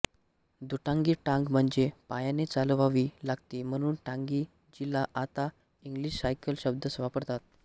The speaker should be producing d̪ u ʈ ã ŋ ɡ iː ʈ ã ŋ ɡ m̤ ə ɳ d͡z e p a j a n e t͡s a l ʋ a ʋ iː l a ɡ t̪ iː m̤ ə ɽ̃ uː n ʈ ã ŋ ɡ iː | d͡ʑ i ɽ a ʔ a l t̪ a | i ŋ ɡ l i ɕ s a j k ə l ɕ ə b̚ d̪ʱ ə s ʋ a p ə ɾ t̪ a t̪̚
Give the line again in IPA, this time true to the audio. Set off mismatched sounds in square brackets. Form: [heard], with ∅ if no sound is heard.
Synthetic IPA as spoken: d̪ u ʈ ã ŋ ɡ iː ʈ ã ŋ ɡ m̤ ə ɳ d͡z e p a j a n e t͡s a l ʋ a ʋ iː l a ɡ t̪ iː m̤ ə ɽ̃ uː n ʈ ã ŋ ɡ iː | d͡ʑ i [l] a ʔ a [∅] t̪ a | i ŋ ɡ l i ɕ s a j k ə l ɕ ə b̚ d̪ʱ ə s ʋ a p ə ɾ t̪ a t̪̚

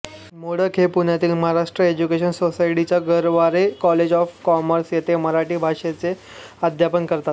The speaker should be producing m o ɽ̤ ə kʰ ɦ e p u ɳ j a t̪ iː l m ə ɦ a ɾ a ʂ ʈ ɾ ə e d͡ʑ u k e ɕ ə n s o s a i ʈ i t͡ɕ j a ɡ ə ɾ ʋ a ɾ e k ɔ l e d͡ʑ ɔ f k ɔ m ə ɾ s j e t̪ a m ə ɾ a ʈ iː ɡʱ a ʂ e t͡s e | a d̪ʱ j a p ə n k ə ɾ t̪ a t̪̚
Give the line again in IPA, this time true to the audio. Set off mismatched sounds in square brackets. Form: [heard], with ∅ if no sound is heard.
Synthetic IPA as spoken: m o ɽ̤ ə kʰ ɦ e p u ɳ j a t̪ iː l m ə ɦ a ɾ a ʂ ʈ ɾ ə e d͡ʑ u k e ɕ ə n s o s a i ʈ i t͡ɕ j a ɡ ə ɾ ʋ a ɾ e k ɔ l e d͡ʑ ɔ f k ɔ m ə ɾ s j e t̪ [e] m ə ɾ a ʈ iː [bʱ] a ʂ e t͡s e | a d̪ʱ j a p ə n k ə ɾ t̪ a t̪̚

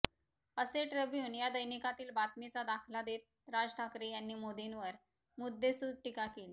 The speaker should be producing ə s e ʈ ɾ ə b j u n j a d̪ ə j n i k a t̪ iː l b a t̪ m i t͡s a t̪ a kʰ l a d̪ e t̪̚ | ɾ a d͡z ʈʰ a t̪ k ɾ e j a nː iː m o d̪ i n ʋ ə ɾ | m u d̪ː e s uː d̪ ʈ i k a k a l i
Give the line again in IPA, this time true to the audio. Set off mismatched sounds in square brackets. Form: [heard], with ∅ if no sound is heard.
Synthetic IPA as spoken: ə s e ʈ ɾ ə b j [uː] n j a d̪ ə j n i k a t̪ iː l b a t̪ m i t͡s a [d̪] a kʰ l a d̪ e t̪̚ | ɾ a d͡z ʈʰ a [∅] k ɾ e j a nː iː m o d̪ i n ʋ ə ɾ | m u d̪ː e s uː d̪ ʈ i k a k [e] l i

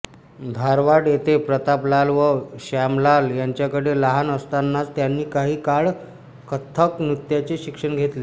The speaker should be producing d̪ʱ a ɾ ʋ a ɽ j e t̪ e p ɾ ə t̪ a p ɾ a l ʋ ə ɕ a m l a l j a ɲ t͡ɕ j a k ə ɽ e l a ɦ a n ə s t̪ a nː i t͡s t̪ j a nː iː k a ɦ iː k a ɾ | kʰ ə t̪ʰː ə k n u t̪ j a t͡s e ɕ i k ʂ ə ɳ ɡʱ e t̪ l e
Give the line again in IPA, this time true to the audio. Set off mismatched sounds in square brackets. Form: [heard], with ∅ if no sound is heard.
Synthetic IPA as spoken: d̪ʱ a ɾ ʋ a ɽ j e t̪ e p ɾ ə t̪ a p [l] a l ʋ ə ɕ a m l a l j a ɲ t͡ɕ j a k ə ɽ e l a ɦ a n ə s t̪ a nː [a] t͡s t̪ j a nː iː k a ɦ iː k a [ɭ] | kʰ ə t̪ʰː ə k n u t̪ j a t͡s e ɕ i k ʂ ə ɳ ɡʱ e t̪ l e

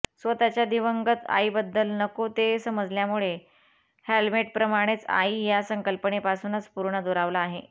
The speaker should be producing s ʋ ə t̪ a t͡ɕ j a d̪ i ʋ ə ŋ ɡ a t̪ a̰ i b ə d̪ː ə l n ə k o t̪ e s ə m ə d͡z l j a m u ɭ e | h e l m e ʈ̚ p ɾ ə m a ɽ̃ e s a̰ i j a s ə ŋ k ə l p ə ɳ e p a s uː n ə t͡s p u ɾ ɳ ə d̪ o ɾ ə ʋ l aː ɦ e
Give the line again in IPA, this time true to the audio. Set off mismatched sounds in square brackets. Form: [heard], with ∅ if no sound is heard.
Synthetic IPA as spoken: s ʋ ə t̪ a t͡ɕ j a d̪ i ʋ ə ŋ ɡ [ə] t̪ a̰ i b ə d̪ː ə l n ə k o t̪ e s ə m ə d͡z l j a m u ɭ e | h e l m e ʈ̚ p ɾ ə m a ɽ̃ e [t͡s] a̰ i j a s ə ŋ k ə l p ə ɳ e p a s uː n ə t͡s p u ɾ ɳ ə d̪ o ɾ [a] ʋ l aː ɦ e

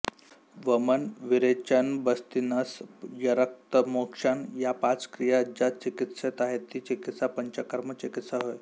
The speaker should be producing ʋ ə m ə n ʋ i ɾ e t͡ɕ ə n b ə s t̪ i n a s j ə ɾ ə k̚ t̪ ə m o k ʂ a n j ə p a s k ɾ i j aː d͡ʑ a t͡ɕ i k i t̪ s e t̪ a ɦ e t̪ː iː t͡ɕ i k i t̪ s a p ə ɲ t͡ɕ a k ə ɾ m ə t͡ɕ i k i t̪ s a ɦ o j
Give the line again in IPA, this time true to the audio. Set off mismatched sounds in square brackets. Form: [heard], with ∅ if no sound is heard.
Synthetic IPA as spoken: ʋ ə m ə n ʋ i ɾ e t͡ɕ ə n b ə s t̪ i n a s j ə ɾ ə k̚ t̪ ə m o k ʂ a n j [a] p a [t͡s] k ɾ i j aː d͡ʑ a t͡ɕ i k i t̪ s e t̪ a ɦ e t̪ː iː t͡ɕ i k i t̪ s a p ə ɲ t͡ɕ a k ə ɾ m ə t͡ɕ i k i t̪ s a ɦ o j

